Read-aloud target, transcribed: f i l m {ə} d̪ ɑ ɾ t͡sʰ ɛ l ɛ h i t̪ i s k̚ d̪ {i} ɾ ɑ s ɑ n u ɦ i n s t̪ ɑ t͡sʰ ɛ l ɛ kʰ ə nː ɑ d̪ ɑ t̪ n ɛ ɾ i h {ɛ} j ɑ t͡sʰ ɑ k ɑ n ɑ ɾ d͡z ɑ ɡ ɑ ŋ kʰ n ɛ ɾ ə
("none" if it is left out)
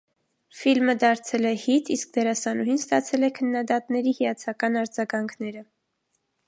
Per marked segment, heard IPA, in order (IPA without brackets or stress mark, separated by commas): ə, ɛ, i